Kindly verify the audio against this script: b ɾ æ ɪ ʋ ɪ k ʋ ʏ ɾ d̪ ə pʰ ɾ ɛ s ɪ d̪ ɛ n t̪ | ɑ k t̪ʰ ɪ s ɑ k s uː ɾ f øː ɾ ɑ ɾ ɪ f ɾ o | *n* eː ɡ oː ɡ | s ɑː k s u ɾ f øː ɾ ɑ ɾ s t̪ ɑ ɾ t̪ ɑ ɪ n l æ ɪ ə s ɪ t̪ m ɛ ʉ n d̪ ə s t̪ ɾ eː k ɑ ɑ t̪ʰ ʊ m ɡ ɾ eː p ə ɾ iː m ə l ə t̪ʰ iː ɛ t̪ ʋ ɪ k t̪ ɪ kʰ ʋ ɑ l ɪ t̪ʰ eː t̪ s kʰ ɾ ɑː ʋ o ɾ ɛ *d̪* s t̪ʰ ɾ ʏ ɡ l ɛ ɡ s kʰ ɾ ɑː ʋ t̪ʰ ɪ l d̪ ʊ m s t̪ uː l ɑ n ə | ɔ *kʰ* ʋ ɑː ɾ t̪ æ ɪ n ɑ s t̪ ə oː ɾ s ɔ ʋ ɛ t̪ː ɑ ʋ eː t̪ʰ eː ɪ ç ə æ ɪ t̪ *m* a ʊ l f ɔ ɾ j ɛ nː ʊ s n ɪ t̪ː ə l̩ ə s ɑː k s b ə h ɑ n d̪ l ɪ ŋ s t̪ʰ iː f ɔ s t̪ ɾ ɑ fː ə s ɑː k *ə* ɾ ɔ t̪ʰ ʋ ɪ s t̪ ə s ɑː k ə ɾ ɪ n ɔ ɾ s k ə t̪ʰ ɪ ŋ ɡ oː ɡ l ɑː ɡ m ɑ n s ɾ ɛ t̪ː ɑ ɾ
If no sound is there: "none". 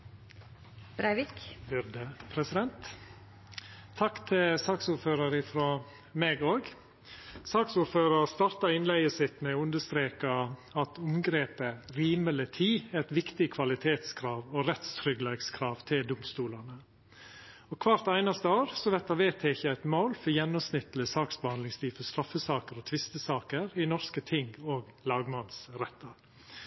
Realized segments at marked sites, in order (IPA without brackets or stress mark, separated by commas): m, t̪, kʰ, m, ə